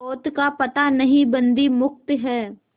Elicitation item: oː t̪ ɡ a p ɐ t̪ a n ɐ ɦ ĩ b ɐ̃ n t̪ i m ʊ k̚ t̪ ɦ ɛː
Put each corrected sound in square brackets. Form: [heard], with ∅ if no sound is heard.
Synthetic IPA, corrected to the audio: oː t̪ [k] a p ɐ t̪ a n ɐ ɦ ĩ b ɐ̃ n [d̪] i m ʊ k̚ t̪ ɦ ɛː